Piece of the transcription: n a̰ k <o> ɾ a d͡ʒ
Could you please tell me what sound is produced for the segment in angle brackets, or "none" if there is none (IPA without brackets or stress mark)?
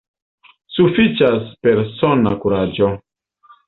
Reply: u